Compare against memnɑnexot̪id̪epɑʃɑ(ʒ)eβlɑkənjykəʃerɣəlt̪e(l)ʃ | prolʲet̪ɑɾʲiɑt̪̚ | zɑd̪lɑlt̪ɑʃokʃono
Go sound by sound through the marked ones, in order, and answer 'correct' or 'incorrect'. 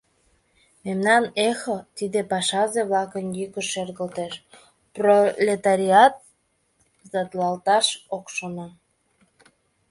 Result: incorrect: z, incorrect: none

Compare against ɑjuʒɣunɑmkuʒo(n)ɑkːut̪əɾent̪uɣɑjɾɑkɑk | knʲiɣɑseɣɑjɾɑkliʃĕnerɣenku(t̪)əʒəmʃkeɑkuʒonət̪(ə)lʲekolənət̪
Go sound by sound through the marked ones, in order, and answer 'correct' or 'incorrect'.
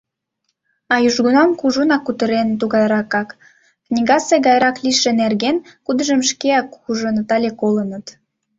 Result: correct, incorrect: d̪, incorrect: ɑ

